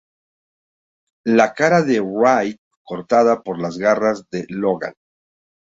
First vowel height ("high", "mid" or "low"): low